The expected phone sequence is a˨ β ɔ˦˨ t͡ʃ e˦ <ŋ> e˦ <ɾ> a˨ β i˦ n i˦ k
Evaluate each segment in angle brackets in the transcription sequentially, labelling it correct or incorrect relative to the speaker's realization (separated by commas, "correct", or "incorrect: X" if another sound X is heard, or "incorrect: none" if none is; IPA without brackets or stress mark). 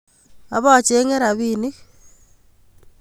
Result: correct, correct